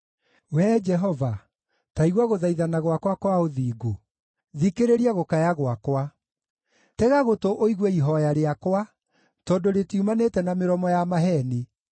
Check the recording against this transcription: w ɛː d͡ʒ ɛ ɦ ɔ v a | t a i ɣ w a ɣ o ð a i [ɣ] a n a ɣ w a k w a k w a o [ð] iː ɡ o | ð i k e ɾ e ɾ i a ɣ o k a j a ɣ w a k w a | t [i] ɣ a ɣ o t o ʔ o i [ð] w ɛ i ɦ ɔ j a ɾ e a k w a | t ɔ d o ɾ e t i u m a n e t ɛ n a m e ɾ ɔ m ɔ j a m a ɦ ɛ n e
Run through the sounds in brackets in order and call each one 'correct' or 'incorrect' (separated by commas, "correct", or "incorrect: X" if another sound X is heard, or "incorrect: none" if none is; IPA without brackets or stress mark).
incorrect: ð, correct, incorrect: ɛ, incorrect: ɣ